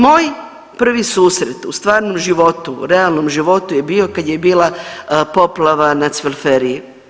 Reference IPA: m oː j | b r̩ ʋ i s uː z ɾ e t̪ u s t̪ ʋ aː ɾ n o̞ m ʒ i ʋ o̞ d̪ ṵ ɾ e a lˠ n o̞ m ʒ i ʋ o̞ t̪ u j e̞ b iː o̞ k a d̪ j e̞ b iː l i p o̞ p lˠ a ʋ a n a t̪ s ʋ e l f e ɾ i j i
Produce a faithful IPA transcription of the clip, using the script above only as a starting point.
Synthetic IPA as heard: m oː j | p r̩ ʋ i s uː s ɾ e t̪ u s t̪ ʋ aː ɾ n o̞ m ʒ i ʋ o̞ t̪ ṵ ɾ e a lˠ n o̞ m ʒ i ʋ o̞ t̪ u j e̞ b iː o̞ k a d̪ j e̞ b iː l a p o̞ p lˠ a ʋ a n a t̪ s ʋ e l f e ɾ i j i